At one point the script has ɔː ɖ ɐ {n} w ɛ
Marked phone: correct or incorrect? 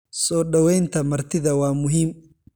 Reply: incorrect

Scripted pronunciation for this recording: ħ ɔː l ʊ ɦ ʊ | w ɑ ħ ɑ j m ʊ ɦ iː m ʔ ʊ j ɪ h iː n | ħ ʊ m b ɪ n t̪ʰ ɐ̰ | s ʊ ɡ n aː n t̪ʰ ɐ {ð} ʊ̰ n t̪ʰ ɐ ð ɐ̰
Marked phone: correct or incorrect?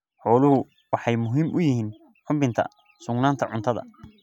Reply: incorrect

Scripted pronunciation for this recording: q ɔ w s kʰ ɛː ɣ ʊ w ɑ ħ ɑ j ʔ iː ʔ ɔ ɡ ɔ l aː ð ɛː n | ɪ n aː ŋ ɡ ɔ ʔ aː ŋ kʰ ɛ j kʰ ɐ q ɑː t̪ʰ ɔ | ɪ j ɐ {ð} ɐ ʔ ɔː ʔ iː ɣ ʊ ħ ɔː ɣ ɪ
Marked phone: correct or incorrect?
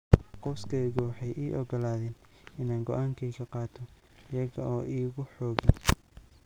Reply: incorrect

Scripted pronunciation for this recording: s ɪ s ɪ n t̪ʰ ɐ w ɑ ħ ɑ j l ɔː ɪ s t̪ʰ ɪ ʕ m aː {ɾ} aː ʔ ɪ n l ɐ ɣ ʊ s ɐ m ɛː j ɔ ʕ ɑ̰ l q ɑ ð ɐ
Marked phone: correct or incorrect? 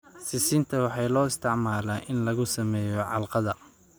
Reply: incorrect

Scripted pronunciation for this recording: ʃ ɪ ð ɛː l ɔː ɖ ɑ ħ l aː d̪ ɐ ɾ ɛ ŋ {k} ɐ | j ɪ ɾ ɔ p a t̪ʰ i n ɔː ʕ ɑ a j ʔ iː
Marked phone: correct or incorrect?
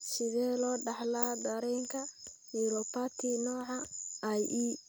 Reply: incorrect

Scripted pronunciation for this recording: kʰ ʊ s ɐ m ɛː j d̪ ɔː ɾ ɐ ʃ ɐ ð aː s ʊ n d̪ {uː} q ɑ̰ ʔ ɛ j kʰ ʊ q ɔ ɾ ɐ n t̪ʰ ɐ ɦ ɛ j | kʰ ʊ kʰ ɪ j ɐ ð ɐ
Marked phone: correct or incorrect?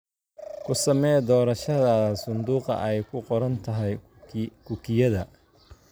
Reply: correct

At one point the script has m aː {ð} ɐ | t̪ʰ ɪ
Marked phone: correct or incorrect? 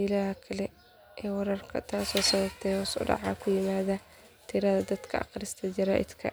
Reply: correct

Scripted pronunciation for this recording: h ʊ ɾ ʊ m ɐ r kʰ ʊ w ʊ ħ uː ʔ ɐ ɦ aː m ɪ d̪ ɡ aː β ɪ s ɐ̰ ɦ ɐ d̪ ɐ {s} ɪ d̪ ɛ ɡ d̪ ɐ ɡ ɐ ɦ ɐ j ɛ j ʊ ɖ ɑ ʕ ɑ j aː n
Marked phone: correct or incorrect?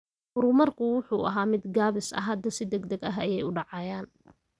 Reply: correct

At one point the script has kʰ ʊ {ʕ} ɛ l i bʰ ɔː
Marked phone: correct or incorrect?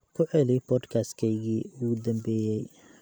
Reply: correct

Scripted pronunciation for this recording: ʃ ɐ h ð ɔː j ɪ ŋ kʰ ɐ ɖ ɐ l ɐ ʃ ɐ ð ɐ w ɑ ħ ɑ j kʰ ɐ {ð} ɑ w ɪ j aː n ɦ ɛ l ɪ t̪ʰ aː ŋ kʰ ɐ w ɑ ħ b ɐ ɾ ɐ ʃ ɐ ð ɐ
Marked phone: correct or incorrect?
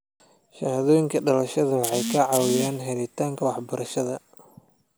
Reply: incorrect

